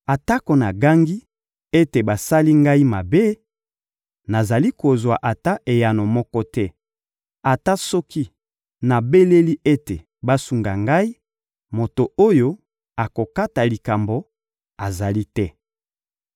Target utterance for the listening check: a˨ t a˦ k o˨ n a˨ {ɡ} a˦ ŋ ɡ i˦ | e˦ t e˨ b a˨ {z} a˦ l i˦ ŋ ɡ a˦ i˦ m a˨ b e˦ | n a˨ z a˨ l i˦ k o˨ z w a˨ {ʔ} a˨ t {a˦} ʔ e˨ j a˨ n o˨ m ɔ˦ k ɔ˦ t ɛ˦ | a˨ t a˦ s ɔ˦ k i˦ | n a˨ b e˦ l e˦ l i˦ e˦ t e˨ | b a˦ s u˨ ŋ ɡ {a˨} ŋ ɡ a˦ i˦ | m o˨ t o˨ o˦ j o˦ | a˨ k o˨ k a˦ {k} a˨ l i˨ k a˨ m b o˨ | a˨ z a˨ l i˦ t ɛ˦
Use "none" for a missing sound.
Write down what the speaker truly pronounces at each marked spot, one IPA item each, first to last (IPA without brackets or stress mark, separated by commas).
ɡ, s, ʔ, a˦, a˨, t